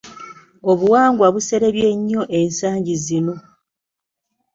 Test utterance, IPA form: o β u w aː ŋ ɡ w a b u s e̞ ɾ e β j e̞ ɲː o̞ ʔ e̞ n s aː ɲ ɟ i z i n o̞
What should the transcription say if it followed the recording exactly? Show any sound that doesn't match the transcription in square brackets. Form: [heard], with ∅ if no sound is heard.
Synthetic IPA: o β u w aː ŋ ɡ w a [β] u s e̞ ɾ e β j e̞ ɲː o̞ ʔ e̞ n s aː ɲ ɟ i z i n o̞